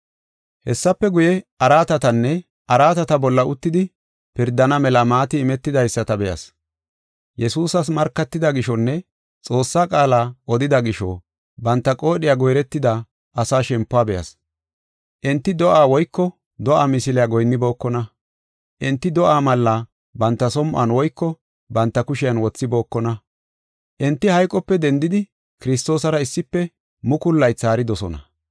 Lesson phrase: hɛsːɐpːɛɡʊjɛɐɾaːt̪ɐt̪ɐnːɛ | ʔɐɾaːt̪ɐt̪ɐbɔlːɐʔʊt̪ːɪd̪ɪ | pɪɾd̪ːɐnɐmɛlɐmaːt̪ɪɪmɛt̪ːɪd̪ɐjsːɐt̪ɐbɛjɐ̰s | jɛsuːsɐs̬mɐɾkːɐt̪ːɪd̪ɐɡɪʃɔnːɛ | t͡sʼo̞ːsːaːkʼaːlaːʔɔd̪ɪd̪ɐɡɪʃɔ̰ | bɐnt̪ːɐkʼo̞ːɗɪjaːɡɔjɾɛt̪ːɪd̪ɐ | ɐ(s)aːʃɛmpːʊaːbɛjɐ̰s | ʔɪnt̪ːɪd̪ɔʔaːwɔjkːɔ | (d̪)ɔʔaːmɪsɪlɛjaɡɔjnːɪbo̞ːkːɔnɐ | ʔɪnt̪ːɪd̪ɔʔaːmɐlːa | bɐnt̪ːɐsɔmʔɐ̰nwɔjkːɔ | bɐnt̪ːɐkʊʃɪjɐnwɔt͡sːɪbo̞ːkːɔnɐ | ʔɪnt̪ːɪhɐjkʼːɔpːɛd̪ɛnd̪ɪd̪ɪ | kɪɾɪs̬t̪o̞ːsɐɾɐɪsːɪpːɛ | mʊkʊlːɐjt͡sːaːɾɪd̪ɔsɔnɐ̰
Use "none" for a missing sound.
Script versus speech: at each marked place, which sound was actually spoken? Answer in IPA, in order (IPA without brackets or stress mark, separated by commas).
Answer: s, d̪